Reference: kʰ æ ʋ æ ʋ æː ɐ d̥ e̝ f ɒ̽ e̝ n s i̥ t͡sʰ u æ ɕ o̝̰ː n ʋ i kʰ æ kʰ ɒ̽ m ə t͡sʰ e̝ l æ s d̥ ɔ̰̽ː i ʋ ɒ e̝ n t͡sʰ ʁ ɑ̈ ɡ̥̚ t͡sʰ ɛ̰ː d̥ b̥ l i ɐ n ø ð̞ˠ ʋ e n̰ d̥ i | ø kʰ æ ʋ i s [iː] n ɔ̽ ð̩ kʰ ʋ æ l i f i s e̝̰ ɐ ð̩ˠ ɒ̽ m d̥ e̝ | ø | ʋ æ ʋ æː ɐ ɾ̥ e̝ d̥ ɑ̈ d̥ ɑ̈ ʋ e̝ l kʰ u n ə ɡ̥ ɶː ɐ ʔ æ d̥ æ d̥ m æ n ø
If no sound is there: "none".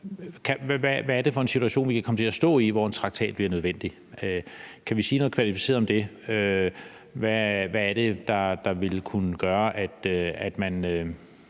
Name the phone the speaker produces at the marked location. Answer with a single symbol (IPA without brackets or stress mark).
iː